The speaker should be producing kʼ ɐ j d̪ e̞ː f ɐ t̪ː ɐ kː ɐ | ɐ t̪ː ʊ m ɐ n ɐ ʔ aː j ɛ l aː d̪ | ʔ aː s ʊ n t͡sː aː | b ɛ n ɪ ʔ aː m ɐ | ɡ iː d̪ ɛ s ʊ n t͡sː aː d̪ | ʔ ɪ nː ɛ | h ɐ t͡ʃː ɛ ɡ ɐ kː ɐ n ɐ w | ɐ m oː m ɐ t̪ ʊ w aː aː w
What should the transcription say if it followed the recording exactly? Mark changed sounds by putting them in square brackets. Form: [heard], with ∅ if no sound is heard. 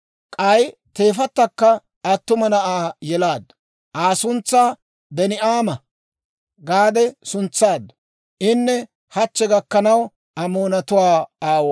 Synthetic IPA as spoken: kʼ ɐ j [t̪] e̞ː f ɐ t̪ː ɐ kː ɐ | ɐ t̪ː ʊ m ɐ n ɐ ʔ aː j ɛ l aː d̪ | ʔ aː s ʊ n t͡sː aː | b ɛ n ɪ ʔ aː m ɐ | ɡ [aː] d̪ ɛ s ʊ n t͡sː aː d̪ | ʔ ɪ nː ɛ | h ɐ t͡ʃː ɛ ɡ ɐ kː ɐ n ɐ w | ɐ m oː [n] ɐ t̪ ʊ w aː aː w